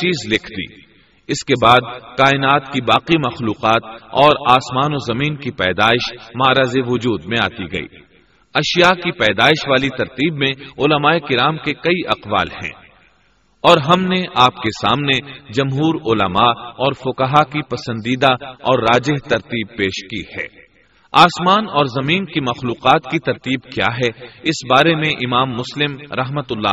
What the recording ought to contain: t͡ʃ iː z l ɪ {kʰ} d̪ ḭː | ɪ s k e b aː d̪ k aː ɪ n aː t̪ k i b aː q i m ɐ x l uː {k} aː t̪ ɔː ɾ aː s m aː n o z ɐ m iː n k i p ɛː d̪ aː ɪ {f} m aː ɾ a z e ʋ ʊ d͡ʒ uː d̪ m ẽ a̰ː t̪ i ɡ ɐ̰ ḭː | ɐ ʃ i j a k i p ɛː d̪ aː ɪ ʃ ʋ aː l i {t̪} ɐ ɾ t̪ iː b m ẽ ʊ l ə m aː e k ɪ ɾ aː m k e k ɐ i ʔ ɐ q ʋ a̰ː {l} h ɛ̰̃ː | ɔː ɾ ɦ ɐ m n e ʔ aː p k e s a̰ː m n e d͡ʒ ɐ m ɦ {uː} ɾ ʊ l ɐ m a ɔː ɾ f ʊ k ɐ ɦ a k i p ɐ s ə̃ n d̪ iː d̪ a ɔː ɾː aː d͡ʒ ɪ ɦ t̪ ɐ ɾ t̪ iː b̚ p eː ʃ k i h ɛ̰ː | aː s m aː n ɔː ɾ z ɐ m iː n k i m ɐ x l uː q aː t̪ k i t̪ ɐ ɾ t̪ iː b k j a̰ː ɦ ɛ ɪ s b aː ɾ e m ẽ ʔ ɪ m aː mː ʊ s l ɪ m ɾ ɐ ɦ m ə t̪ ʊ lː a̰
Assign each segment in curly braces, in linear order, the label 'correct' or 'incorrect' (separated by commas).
correct, incorrect, incorrect, correct, correct, correct